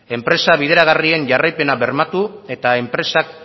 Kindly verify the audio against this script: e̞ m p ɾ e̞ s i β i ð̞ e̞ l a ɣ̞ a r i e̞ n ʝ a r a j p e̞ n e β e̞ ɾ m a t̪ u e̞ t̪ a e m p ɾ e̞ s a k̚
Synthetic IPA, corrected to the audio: e̞ m p ɾ e̞ s a β i ð̞ e̞ ɾ a ɣ̞ a r i e̞ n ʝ a r a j p e̞ n a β e̞ ɾ m a t̪ u e̞ t̪ a e m p ɾ e̞ s a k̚